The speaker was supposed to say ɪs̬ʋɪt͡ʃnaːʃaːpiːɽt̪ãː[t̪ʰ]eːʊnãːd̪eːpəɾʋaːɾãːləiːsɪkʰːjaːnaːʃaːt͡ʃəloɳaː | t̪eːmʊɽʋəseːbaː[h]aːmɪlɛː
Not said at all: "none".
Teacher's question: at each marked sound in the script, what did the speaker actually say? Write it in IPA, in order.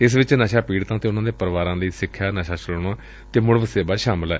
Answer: t̪, ʃ

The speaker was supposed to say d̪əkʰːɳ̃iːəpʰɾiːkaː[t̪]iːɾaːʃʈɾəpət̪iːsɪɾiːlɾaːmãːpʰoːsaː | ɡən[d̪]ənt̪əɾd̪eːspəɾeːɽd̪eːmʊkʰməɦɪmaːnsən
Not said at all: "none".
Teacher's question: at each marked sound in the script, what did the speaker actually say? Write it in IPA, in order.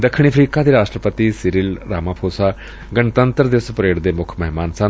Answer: d̪, t̪

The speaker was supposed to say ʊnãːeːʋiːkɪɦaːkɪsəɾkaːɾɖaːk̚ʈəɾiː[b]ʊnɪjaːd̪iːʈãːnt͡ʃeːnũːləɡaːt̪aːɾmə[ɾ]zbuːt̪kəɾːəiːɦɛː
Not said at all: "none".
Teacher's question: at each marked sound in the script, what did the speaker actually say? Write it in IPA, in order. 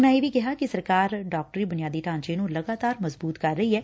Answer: b, none

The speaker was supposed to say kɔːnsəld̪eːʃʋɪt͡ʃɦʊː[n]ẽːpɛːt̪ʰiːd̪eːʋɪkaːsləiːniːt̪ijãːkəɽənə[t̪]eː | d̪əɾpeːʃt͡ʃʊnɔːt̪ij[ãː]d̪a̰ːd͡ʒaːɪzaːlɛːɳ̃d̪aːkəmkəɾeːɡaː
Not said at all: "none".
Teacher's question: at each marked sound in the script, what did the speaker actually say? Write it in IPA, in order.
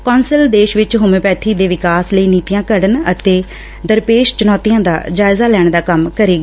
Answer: m, t̪, ãː

